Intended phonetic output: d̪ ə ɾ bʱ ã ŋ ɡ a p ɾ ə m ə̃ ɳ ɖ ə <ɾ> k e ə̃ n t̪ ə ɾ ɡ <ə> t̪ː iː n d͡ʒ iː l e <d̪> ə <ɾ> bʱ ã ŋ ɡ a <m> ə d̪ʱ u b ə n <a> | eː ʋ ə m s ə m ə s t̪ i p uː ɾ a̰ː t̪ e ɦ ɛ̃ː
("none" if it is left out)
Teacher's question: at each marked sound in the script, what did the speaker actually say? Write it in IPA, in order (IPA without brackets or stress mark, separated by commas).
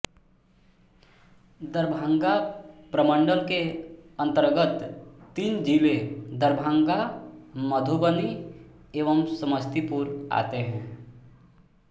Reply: l, ə, d̪, ɾ, m, i